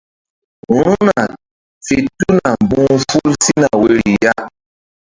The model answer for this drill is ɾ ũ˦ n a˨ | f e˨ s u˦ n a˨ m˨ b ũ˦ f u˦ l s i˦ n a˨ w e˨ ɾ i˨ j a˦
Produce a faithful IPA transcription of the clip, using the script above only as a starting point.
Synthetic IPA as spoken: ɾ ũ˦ n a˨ | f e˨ t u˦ n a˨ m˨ b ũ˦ f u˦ l s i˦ n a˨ w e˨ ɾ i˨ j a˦